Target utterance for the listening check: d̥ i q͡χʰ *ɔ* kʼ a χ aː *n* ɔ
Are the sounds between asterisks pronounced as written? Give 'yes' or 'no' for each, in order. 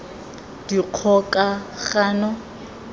yes, yes

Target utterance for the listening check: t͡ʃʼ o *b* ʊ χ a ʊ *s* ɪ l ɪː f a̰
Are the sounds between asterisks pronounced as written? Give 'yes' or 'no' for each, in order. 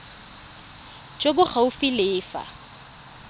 yes, no

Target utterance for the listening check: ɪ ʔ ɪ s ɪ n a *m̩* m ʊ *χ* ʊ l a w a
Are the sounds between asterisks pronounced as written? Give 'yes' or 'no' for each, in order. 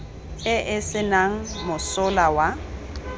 no, no

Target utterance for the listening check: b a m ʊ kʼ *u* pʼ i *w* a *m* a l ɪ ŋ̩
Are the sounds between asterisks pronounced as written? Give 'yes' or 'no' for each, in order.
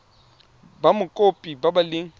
no, no, no

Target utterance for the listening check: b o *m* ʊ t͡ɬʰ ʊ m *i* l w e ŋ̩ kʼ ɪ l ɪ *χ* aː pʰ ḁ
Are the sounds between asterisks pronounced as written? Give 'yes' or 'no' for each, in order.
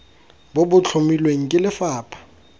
no, yes, no

